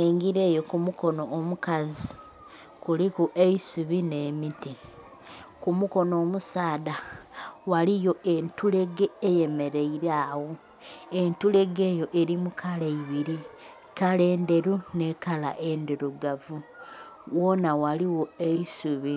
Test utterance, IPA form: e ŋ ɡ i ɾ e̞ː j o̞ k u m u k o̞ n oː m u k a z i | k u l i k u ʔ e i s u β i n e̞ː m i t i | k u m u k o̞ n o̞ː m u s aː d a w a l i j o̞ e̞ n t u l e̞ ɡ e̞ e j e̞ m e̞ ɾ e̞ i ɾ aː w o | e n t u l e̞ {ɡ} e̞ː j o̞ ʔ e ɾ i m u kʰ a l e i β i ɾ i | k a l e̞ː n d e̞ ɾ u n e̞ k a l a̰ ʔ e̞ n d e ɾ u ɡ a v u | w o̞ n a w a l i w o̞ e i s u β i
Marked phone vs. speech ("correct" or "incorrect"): correct